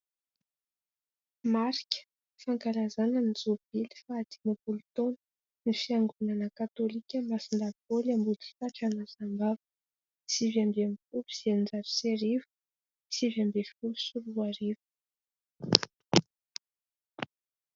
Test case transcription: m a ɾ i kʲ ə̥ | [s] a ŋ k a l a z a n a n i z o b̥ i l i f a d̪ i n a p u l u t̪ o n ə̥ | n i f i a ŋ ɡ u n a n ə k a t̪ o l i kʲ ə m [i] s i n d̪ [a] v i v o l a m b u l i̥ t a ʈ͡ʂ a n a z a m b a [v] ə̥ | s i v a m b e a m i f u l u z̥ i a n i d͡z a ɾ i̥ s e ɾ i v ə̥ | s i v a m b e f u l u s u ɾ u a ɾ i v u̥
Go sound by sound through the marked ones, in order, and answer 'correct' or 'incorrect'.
incorrect: f, incorrect: a, correct, correct

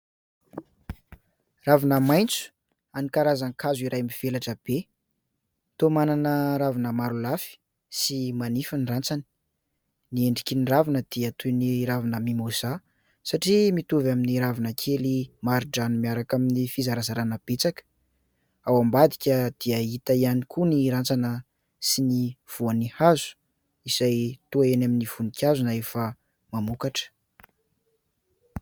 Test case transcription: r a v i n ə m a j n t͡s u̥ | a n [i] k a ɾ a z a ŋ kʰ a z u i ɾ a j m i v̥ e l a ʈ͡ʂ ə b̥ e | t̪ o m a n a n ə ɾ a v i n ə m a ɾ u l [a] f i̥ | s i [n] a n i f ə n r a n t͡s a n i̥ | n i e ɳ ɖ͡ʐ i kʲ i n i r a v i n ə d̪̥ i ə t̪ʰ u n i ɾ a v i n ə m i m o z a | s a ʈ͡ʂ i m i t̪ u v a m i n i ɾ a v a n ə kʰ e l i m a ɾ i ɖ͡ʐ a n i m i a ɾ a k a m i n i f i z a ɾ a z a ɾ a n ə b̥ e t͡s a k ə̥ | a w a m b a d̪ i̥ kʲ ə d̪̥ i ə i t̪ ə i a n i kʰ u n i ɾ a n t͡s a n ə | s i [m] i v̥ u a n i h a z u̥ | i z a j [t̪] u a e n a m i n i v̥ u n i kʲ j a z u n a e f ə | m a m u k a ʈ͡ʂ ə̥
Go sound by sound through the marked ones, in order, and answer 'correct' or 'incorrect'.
correct, correct, incorrect: m, incorrect: n, correct

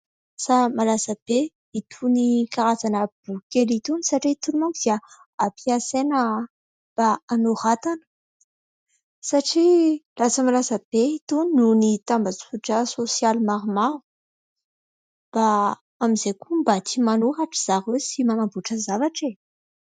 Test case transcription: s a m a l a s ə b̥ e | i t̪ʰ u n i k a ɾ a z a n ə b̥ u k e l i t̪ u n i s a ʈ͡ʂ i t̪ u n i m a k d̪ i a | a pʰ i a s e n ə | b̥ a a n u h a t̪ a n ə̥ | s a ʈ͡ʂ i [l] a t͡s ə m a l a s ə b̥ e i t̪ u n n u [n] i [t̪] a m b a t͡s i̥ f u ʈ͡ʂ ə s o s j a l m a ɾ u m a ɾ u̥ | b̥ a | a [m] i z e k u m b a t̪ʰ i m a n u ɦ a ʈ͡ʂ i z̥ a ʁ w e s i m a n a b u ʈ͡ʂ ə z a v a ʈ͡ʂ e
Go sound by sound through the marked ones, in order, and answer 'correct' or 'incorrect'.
correct, correct, correct, correct

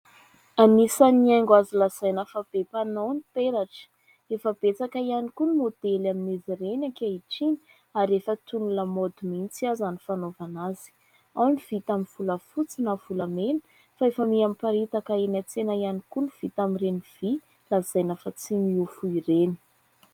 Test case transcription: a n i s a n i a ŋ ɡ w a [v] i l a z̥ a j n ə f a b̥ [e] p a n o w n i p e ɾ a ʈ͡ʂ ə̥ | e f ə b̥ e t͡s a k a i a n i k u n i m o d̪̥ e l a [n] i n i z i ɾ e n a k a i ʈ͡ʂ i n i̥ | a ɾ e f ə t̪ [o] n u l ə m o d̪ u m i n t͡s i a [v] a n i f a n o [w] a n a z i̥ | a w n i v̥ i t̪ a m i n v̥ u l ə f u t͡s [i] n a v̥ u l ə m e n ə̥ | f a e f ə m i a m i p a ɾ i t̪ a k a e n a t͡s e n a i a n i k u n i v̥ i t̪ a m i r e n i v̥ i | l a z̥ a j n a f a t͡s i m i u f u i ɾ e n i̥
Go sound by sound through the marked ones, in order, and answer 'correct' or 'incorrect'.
incorrect: z, correct, incorrect: m, incorrect: u, incorrect: z, incorrect: v, correct

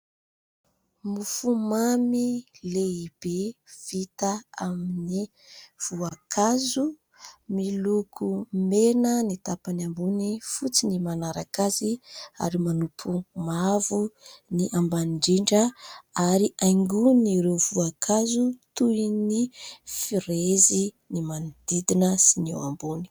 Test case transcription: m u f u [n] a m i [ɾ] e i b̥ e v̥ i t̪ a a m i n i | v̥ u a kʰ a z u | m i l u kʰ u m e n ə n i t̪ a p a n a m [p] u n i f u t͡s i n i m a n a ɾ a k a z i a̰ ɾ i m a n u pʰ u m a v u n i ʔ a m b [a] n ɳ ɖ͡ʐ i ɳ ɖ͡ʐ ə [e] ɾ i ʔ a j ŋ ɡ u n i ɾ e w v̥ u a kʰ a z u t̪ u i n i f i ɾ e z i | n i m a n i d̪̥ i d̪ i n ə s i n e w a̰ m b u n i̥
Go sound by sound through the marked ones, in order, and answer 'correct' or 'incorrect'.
incorrect: m, incorrect: l, incorrect: b, correct, incorrect: a

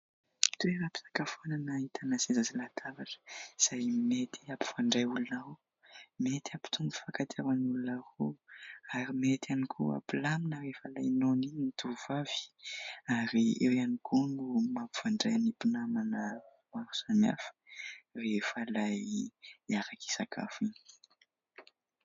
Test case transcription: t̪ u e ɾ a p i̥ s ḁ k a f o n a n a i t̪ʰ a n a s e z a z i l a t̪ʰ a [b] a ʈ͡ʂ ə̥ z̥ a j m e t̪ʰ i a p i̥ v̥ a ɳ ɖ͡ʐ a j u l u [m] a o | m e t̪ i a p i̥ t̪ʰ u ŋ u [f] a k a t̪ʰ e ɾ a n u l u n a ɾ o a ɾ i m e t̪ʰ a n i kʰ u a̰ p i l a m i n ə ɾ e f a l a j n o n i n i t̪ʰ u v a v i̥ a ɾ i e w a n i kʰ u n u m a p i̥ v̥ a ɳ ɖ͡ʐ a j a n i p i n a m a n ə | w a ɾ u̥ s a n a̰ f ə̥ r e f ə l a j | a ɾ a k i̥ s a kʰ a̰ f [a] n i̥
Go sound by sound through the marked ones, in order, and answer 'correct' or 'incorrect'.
incorrect: v, incorrect: n, correct, incorrect: i

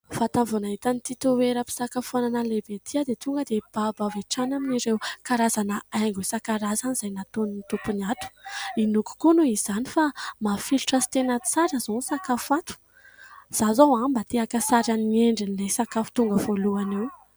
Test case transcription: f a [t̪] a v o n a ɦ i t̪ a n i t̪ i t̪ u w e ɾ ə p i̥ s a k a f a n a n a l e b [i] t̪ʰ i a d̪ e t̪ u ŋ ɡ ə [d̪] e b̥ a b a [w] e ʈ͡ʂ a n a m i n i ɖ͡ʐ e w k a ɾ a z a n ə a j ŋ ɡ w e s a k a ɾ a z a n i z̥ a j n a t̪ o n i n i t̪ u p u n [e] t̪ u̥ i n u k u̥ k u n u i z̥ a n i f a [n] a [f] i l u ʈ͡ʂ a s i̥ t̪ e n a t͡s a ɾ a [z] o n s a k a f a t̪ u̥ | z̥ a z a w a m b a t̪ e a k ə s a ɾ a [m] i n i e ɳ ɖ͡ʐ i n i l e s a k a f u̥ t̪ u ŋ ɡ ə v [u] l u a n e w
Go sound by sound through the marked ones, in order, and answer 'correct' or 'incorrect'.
correct, incorrect: e, correct, incorrect: v, incorrect: a, incorrect: m, correct, correct, incorrect: n, incorrect: o

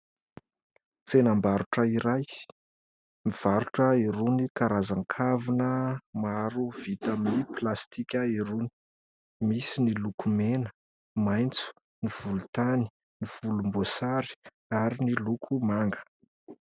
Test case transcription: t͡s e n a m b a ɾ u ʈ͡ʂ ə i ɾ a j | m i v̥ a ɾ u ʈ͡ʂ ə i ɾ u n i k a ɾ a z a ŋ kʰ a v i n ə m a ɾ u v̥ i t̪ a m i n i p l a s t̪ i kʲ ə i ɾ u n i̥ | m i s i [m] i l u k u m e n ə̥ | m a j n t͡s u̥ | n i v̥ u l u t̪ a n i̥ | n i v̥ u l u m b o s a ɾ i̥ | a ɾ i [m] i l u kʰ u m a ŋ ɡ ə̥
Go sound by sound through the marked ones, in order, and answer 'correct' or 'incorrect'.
incorrect: n, incorrect: n

